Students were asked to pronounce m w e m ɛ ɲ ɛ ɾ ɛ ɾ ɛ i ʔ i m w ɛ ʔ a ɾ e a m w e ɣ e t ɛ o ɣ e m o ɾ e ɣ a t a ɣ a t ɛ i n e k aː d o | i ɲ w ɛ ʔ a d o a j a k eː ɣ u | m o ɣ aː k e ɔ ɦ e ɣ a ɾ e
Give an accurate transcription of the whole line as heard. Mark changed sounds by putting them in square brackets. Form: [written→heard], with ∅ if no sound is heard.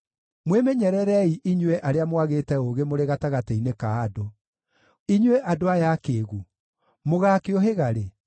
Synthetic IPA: m w e m ɛ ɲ ɛ ɾ ɛ ɾ ɛ i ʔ i [m→ɲ] w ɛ ʔ a ɾ e a m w [e→a] ɣ e t ɛ o ɣ e m o ɾ e ɣ a t a ɣ a t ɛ i n e k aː d o | i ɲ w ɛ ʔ a d o a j a k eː ɣ u | m o ɣ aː k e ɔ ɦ e ɣ a ɾ e